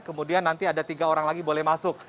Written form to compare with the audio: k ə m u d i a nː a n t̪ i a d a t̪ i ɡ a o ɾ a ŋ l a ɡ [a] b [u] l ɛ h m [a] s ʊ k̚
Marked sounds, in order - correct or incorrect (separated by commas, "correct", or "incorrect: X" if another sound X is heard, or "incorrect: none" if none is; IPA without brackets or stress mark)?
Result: incorrect: i, incorrect: o, correct